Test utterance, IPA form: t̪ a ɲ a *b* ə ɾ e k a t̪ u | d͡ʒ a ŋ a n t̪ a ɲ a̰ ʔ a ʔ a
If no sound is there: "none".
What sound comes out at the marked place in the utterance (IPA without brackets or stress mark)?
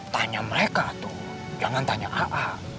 m